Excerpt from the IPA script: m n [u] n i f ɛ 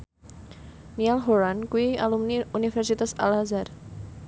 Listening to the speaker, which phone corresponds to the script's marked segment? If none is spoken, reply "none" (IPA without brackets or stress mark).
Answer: u